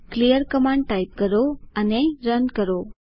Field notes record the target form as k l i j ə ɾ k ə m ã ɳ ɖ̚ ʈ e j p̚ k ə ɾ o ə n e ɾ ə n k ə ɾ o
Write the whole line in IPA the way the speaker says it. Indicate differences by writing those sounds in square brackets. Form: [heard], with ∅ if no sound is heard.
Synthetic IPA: k l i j ə ɾ k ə m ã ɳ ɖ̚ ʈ [a] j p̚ k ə ɾ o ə n e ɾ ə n k ə ɾ o

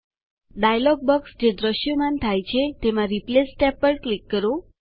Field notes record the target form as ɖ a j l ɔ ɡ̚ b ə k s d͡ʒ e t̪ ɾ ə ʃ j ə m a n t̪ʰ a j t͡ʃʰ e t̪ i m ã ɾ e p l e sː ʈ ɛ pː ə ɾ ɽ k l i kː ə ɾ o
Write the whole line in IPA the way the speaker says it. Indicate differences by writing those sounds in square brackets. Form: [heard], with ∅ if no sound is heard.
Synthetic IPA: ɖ a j l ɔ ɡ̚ b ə k s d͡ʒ e [d̪] ɾ ə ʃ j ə m a n t̪ʰ a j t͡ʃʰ e t̪ [e] m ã ɾ [i] p l e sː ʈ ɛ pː ə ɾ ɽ k l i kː ə ɾ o

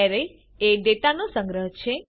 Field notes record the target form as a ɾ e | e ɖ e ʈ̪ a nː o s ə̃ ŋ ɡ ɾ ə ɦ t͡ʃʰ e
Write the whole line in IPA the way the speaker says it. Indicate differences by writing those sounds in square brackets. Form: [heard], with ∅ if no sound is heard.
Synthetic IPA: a ɾ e | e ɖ e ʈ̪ a [n] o s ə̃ ŋ ɡ ɾ ə ɦ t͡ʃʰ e

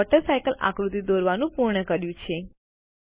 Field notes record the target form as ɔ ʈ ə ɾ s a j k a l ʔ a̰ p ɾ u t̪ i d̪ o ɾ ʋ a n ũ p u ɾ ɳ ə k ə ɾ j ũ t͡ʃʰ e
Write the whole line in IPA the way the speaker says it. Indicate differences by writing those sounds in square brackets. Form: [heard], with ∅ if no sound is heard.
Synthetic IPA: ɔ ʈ ə ɾ s a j k [ə] l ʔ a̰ [k] ɾ u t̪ i d̪ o ɾ ʋ a n ũ p u ɾ ɳ ə k ə ɾ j ũ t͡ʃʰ e

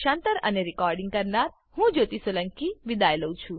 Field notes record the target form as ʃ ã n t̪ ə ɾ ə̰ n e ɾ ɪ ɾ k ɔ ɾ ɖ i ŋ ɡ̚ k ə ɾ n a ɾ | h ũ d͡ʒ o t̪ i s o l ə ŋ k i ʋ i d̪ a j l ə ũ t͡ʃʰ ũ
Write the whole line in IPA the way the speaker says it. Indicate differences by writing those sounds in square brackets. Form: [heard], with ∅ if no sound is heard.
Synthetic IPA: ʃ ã n t̪ ə ɾ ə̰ n e ɾ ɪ [∅] k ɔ ɾ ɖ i ŋ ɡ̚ k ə ɾ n a ɾ | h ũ d͡ʒ o t̪ i s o l ə ŋ k i ʋ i d̪ a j l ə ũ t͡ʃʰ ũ

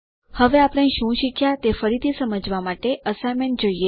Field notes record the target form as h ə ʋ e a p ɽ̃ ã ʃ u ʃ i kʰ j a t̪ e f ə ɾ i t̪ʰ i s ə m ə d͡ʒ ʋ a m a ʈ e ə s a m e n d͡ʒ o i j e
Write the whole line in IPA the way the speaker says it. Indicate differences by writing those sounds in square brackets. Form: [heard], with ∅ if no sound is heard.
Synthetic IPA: h ə ʋ e a p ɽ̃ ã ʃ [ũ] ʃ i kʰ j a t̪ e f ə ɾ i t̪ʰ i s ə m ə d͡ʒ ʋ a m a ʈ e ə s a m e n d͡ʒ o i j e

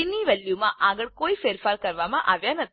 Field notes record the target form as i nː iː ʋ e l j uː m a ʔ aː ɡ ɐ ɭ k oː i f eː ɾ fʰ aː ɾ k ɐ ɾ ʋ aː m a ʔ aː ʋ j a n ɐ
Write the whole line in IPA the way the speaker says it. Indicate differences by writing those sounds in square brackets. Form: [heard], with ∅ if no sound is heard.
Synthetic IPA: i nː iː ʋ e l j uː m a ʔ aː ɡ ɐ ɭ k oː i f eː ɾ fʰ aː ɾ k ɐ ɾ ʋ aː m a ʔ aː ʋ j a n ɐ

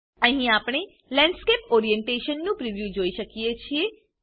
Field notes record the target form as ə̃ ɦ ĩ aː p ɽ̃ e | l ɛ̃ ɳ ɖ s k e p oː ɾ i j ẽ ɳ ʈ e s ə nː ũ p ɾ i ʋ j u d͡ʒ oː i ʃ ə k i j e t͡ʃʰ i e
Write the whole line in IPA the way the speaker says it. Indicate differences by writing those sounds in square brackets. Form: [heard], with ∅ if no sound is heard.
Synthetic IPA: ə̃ ɦ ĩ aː p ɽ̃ e | l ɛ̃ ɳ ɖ s k e p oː ɾ i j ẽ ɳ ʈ e [ʃ] ə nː ũ p ɾ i ʋ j u d͡ʒ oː i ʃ ə k i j e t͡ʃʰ i e

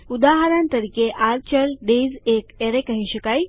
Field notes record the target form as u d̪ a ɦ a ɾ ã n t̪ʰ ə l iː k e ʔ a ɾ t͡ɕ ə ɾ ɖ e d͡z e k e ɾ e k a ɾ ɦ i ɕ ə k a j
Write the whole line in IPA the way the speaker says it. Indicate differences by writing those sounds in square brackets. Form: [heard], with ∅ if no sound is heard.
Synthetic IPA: u d̪ a ɦ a ɾ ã n [t̪] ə [ɾ] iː k e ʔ a ɾ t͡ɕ ə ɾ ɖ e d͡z e k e ɾ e k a [∅] ɦ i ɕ ə k a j

